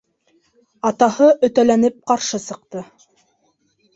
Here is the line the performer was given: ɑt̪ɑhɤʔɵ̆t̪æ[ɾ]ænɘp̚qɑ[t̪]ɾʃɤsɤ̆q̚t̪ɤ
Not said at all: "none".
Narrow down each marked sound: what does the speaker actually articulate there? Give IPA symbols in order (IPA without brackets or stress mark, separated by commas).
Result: l, none